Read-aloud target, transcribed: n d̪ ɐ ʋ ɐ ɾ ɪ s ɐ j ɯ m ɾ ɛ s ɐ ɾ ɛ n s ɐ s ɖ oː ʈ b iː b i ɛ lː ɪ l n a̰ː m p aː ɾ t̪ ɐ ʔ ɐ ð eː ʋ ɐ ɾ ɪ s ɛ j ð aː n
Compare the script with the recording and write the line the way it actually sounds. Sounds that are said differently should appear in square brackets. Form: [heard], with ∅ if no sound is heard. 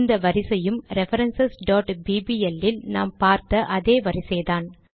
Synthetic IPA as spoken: n d̪ ɐ ʋ ɐ ɾ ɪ s ɐ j ɯ m ɾ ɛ [f] ɐ ɾ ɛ n s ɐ s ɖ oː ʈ b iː b i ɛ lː ɪ l n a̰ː m p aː ɾ t̪ ɐ ʔ ɐ ð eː ʋ ɐ ɾ ɪ s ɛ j ð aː n